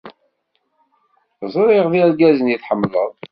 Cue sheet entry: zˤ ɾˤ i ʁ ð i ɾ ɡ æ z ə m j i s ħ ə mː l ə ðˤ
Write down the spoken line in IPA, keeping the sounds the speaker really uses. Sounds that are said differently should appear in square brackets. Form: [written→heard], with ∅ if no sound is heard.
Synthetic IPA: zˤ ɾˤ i ʁ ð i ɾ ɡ æ z ə [m→n] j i [s→θ] ħ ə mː l ə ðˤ